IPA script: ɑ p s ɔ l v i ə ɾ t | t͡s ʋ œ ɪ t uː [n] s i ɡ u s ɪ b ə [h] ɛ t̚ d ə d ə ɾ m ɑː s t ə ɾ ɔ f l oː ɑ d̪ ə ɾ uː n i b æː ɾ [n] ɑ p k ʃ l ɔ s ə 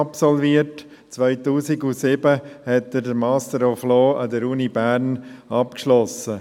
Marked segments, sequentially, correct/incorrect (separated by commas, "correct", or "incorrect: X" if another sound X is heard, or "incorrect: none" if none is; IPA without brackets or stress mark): incorrect: none, correct, correct